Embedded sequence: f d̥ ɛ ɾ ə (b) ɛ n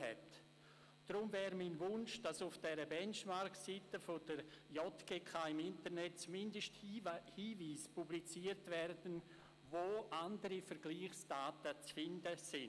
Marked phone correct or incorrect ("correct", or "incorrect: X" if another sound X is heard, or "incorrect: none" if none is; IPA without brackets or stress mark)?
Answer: correct